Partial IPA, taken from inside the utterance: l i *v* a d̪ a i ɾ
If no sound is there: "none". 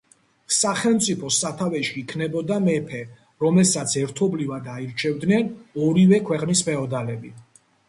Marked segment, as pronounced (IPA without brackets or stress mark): v